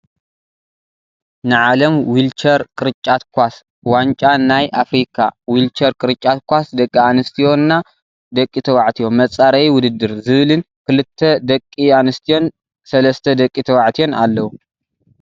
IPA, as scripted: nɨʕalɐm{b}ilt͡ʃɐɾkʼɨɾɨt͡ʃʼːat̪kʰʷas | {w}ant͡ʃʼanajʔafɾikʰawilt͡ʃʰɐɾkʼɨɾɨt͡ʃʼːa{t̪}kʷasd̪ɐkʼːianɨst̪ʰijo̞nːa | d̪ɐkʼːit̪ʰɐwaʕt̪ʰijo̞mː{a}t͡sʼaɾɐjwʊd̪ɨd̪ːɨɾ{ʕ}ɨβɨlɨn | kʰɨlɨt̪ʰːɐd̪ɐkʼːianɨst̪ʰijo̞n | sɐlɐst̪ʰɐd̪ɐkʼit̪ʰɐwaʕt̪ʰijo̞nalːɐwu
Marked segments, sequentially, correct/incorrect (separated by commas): incorrect, correct, correct, incorrect, incorrect